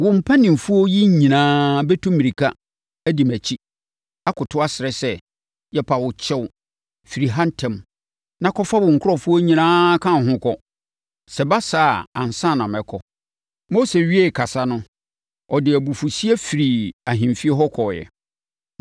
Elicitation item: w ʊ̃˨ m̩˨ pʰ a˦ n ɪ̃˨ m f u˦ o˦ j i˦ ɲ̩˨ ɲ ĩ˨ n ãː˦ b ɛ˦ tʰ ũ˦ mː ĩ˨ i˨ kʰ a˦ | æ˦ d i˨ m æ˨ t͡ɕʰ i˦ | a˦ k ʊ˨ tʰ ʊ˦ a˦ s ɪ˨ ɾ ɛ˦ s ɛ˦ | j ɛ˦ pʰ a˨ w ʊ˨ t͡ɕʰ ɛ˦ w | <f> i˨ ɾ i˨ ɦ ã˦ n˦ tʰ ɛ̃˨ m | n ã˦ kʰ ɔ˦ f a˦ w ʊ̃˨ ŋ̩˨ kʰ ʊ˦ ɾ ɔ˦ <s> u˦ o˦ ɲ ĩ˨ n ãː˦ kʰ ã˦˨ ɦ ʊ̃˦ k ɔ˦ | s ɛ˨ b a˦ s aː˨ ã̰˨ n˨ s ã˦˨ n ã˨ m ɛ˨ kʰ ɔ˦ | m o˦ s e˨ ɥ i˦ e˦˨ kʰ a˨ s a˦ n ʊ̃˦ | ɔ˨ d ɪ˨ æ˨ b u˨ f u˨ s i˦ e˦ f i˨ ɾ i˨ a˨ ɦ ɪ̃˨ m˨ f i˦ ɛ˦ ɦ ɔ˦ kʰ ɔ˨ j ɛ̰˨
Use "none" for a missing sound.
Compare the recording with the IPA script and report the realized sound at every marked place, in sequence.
f, f

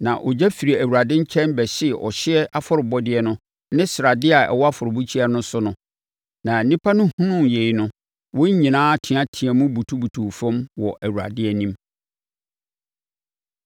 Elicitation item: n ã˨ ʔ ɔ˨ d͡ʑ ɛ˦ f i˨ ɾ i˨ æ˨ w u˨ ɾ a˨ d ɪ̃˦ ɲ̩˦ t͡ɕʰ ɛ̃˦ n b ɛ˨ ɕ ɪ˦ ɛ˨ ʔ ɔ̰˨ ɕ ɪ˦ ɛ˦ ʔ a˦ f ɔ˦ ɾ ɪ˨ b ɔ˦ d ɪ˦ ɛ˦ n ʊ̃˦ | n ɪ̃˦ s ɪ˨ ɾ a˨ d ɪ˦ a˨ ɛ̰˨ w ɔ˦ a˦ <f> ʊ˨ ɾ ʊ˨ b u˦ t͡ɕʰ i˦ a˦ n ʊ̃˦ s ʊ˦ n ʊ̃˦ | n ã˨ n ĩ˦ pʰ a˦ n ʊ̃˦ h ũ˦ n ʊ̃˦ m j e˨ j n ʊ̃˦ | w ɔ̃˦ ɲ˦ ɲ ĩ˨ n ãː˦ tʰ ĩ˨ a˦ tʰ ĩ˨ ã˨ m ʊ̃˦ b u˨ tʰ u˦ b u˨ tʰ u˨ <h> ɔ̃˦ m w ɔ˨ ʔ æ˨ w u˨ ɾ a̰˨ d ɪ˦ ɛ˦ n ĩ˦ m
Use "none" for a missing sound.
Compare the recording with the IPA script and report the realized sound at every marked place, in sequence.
f, f

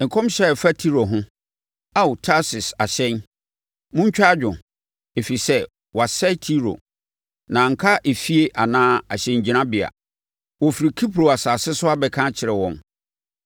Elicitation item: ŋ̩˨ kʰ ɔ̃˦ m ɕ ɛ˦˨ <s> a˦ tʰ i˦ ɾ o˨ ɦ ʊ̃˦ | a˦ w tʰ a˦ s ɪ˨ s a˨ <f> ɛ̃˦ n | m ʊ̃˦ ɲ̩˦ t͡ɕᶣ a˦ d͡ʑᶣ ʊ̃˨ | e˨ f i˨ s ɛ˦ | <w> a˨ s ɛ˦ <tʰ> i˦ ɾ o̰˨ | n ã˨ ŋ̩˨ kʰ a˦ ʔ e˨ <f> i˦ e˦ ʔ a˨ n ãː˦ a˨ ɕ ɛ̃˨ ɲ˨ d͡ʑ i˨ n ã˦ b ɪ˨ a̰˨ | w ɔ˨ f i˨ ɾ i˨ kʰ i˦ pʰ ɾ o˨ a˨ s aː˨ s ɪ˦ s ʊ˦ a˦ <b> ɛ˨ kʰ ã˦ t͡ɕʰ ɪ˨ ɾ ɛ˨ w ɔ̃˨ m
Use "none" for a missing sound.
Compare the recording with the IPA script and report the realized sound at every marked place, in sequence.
f, ɕ, w, tʰ, f, b

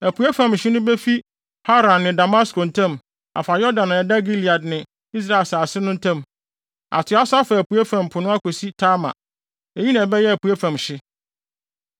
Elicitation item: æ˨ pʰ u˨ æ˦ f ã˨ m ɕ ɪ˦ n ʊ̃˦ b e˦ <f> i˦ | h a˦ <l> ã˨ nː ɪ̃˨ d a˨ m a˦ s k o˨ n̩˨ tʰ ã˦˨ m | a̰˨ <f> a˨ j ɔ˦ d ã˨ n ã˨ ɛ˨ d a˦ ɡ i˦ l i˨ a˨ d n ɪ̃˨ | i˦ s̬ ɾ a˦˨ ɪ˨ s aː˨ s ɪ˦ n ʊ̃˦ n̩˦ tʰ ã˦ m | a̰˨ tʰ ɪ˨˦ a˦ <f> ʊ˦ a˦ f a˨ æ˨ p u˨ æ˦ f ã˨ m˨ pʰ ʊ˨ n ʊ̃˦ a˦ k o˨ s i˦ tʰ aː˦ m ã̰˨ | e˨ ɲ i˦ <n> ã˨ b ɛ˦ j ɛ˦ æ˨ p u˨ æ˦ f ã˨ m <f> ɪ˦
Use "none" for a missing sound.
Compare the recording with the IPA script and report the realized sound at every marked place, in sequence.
f, ɾ, f, s, n, ɕ

